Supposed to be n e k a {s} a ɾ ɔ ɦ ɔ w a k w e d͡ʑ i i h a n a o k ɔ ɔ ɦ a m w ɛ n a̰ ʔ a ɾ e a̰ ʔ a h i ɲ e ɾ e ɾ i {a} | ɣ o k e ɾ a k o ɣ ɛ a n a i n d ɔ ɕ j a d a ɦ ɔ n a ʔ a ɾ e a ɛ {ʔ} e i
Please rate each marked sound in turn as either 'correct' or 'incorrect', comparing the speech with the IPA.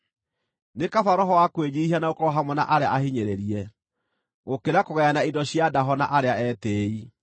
incorrect: f, incorrect: ɛ, incorrect: t

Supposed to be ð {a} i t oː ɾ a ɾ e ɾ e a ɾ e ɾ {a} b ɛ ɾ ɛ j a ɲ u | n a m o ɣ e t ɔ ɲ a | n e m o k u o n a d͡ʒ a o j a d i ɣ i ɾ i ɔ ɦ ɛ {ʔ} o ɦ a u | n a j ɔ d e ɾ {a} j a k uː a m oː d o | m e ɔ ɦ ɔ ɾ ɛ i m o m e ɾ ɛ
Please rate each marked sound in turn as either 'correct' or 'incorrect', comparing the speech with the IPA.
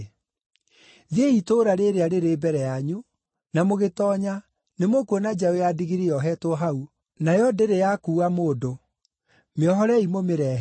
incorrect: e, incorrect: e, incorrect: t, incorrect: e

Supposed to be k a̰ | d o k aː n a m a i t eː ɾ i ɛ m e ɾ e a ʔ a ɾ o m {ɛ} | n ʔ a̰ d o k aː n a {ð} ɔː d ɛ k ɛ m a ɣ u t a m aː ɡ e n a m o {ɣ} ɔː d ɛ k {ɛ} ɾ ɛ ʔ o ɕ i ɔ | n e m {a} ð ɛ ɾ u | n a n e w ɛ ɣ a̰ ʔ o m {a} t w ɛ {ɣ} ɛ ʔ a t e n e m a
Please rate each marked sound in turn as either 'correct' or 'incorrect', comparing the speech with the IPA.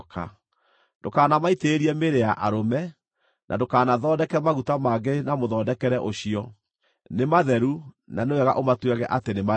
correct, correct, incorrect: ð, correct, correct, correct, correct

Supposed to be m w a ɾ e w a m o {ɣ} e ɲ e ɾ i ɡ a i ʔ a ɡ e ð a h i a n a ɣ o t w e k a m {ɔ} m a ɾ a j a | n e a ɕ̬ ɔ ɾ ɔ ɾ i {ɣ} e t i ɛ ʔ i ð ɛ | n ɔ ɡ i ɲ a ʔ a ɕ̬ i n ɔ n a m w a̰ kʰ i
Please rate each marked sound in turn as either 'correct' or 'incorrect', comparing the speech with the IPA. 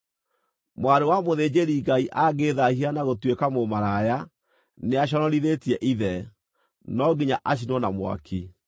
incorrect: ð, incorrect: o, incorrect: ð

